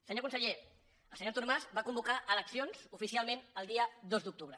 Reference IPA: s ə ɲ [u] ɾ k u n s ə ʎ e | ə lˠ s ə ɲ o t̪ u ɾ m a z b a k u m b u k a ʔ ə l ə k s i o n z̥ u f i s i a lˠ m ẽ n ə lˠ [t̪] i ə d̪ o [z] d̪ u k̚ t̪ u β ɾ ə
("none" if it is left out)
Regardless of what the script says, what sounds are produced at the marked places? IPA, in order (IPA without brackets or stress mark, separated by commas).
o, d̪, z